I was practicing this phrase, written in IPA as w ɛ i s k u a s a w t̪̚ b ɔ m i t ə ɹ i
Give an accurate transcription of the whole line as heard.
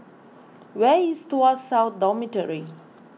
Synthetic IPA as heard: w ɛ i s t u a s a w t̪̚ d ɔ m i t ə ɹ i